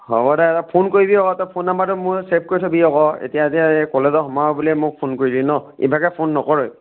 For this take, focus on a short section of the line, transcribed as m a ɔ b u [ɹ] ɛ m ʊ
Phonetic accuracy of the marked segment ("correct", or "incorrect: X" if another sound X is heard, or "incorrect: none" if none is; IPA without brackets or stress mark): incorrect: l